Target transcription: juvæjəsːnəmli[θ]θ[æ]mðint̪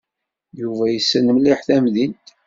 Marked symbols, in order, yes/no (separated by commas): no, yes